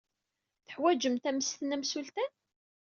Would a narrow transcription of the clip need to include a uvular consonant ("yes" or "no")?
no